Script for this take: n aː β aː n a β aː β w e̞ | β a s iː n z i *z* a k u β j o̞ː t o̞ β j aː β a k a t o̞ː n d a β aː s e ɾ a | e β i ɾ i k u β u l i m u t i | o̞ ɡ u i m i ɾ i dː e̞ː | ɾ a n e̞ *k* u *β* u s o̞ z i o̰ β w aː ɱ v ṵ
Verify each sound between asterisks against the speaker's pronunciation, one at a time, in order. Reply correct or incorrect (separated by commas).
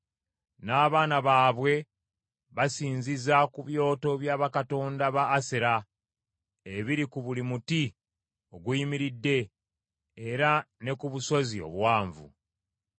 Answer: correct, correct, correct